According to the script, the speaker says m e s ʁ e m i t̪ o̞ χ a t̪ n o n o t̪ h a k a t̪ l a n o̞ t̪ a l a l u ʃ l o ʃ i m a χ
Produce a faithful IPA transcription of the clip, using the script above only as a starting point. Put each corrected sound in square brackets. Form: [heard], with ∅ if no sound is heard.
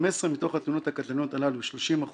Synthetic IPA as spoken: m e s ʁ e m i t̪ o̞ χ a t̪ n [u] n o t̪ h a k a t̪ l a n o̞ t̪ a l a l u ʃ l o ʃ i m a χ